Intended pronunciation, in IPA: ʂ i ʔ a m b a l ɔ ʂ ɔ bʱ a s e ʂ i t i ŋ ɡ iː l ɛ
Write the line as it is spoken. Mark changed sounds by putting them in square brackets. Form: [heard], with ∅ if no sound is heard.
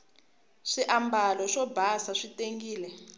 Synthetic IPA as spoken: ʂ i ʔ a m b a l ɔ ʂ ɔ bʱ a s [a] ʂ i t [e] ŋ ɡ iː l ɛ